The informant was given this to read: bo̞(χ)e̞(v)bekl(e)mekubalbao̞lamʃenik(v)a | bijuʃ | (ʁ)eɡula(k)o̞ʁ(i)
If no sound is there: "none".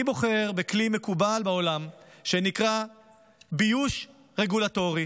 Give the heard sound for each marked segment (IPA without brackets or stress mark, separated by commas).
χ, ʁ, i, ʁ, ʁ, t, i